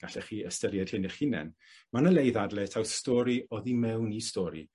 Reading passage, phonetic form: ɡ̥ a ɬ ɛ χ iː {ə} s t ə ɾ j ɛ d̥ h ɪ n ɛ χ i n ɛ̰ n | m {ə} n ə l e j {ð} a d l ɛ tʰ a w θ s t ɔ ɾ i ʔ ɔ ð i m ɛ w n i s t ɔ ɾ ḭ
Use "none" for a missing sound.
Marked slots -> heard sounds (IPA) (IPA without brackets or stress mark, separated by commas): ə, a, ð